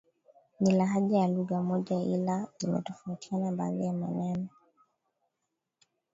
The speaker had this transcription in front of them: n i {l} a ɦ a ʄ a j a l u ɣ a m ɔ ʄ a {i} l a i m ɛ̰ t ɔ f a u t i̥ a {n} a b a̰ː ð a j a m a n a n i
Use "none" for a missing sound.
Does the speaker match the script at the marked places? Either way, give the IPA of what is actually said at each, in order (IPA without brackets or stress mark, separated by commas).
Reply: l, i, n